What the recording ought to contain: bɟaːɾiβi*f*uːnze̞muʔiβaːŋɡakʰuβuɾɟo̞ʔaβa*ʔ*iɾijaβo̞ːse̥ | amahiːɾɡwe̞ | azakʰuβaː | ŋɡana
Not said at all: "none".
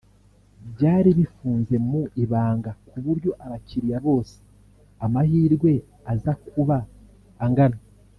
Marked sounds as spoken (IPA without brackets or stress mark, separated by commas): f, c